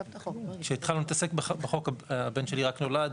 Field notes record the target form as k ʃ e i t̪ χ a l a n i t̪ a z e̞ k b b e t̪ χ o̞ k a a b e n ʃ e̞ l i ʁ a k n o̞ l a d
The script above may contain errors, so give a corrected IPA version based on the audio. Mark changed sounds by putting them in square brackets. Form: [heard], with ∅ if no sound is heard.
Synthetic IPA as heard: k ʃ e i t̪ χ a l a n i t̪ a [s] e̞ k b b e [∅] χ o̞ k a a b e n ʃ e̞ l i ʁ a k n o̞ l a d